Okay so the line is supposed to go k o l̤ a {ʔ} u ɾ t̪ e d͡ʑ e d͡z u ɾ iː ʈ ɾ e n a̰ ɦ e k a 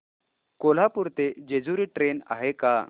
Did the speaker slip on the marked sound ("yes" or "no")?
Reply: yes